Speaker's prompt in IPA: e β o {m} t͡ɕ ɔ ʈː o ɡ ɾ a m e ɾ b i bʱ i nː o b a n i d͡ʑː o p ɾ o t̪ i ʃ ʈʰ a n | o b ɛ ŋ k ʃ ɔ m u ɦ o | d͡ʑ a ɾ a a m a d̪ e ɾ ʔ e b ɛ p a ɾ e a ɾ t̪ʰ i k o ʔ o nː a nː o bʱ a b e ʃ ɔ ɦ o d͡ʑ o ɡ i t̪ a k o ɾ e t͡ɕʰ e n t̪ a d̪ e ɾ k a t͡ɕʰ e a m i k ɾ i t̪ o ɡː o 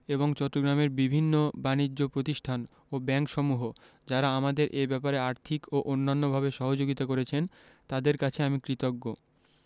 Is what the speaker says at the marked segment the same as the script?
no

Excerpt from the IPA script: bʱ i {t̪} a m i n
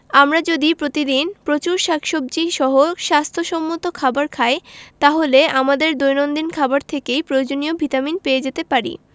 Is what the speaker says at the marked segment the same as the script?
yes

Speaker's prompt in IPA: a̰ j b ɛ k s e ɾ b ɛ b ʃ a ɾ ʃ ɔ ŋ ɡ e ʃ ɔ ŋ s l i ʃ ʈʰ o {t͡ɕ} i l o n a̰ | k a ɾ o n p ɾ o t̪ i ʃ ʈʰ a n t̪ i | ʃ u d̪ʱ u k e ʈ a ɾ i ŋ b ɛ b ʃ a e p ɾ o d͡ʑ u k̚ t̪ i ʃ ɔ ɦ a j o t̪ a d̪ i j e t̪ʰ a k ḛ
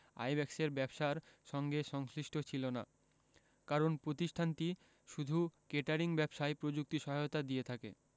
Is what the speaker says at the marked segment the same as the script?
no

